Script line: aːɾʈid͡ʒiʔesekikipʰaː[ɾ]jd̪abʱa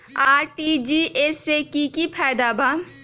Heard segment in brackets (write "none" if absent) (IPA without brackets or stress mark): none